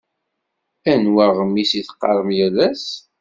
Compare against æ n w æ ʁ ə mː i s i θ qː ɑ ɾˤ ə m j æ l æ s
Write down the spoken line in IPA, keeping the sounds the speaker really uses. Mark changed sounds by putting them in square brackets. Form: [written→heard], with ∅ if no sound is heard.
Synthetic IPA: æ n w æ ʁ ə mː i s i θ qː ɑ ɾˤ ə m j æ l æ s

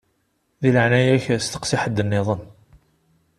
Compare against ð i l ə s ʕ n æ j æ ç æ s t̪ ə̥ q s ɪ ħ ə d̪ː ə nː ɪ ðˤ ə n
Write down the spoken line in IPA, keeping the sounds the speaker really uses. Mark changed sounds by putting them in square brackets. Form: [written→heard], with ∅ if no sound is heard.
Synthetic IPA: ð i l ə [s→∅] ʕ n æ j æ ç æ s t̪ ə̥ q s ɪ ħ ə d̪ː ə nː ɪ ðˤ ə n

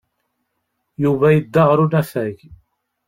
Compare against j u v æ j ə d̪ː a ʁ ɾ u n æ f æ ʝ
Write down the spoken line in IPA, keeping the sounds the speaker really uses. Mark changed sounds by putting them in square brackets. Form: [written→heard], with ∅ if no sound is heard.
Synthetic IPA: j u v æ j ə d̪ː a ʁ ɾ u n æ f æ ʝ

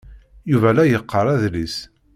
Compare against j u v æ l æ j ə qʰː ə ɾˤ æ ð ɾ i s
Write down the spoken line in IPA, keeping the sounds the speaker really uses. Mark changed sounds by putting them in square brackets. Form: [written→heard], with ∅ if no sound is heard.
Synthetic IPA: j u v æ l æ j ə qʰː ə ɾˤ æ ð [ɾ→l] i s

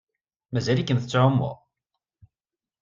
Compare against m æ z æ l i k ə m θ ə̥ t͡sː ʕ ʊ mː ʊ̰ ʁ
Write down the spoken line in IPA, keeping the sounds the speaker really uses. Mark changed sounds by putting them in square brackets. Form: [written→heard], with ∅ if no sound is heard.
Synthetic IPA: m æ z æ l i k ə [m→n] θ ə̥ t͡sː ʕ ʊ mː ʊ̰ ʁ

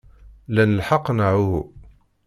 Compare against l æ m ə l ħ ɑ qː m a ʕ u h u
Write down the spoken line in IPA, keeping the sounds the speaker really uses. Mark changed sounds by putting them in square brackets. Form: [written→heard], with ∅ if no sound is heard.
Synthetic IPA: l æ [m→n] ə l ħ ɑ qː [m→n] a ʕ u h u

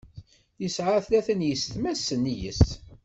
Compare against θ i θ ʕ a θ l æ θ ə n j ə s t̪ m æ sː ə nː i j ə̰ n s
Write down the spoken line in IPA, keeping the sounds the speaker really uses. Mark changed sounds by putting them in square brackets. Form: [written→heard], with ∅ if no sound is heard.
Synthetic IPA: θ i [θ→s] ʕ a θ l æ θ ə n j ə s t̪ m æ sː ə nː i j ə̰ [n→∅] s

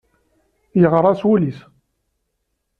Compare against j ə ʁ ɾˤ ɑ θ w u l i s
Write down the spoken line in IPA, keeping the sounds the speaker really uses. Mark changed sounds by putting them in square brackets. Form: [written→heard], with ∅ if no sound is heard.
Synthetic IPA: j ə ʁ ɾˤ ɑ [θ→s] w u l i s

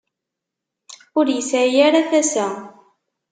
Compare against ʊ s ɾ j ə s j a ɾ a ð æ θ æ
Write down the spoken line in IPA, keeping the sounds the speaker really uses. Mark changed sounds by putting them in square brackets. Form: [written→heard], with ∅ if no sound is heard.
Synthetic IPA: ʊ [s→∅] ɾ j ə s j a ɾ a [ð→θ] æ [θ→s] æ

